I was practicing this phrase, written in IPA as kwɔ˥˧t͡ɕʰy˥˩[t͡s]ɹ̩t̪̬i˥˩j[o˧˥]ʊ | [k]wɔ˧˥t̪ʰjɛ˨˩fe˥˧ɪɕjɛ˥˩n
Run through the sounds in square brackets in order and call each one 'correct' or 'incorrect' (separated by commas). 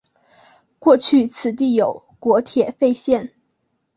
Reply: incorrect, incorrect, correct